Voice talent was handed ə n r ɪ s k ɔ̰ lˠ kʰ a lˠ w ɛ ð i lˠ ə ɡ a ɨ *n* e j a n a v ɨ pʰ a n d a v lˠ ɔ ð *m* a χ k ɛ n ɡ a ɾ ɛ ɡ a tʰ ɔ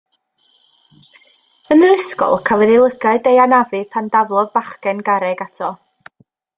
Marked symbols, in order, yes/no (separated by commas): no, no